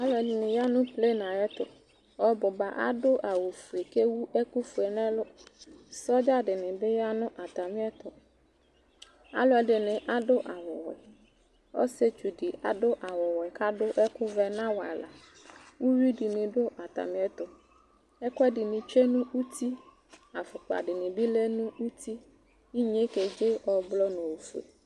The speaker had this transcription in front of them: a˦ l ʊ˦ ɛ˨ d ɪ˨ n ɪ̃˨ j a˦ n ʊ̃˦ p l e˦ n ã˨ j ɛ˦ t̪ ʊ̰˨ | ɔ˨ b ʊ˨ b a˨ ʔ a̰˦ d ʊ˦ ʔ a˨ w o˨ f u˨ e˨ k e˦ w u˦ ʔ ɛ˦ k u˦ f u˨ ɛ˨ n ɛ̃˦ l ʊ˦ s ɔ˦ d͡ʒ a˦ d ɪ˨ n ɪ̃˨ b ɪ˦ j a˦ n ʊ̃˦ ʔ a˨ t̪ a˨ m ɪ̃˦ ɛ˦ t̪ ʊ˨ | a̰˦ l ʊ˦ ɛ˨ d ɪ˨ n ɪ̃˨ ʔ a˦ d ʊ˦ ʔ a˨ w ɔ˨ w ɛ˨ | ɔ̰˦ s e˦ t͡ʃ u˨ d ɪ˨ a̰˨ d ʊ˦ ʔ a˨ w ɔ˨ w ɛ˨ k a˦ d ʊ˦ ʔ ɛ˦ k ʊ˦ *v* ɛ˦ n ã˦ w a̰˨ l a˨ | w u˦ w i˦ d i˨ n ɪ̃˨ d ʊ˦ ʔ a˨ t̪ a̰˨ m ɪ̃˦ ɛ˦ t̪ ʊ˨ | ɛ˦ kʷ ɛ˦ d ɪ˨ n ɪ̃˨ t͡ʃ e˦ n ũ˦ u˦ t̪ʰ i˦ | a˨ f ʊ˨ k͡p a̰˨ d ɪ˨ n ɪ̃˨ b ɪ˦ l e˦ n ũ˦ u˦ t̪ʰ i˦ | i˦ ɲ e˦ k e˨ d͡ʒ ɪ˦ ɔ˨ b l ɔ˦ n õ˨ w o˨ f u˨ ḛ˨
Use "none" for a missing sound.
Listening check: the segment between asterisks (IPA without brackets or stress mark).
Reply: v